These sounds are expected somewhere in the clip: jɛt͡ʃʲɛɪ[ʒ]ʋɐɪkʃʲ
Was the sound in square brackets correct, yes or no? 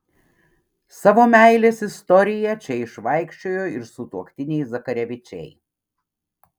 no